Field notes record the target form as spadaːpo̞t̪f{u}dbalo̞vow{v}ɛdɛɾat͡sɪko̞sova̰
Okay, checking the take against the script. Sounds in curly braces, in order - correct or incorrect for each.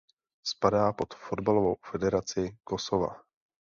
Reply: incorrect: o, incorrect: f

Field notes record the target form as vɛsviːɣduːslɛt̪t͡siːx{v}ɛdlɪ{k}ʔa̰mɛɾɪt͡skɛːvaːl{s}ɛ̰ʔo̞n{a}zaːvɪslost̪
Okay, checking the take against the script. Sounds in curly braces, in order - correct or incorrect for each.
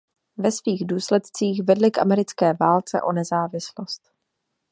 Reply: correct, correct, incorrect: t͡s, incorrect: ɛ

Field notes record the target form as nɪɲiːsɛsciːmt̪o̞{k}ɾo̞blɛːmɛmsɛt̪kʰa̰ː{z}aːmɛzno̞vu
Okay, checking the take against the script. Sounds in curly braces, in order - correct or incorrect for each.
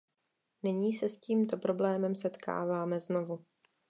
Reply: incorrect: p, incorrect: v

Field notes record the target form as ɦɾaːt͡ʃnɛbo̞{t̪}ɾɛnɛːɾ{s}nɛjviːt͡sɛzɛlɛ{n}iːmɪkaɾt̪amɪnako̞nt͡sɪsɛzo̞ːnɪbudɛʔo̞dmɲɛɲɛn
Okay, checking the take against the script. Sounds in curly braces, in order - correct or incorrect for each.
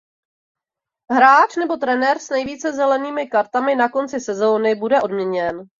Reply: correct, correct, correct

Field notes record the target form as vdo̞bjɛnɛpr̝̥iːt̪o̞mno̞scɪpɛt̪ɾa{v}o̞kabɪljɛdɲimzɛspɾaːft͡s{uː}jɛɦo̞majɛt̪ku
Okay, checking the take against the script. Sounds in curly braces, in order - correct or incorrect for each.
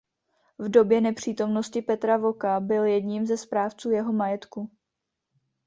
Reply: correct, correct

